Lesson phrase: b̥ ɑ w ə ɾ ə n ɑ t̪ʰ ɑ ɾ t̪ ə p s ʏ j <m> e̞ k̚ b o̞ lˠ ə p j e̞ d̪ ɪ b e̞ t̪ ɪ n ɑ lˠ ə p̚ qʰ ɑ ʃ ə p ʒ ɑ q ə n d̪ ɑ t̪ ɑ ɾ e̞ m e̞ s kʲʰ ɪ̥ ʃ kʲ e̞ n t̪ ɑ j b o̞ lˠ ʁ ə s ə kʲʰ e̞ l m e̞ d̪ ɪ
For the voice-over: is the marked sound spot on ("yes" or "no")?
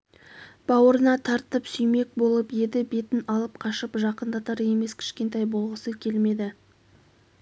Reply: yes